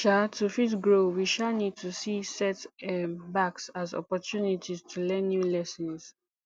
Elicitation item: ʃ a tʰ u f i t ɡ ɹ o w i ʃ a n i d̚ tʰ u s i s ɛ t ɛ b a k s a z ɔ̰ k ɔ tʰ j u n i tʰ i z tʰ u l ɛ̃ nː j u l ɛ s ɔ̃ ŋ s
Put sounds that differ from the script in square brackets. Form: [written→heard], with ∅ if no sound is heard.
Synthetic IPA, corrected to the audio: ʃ a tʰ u f i t ɡ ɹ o w i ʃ a n i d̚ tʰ u s i s ɛ t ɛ b a k s a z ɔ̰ [k→p] ɔ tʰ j u n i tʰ i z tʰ u l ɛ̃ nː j u l ɛ s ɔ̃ [ŋ→n] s